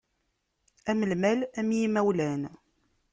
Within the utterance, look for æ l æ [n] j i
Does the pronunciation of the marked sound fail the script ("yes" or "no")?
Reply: yes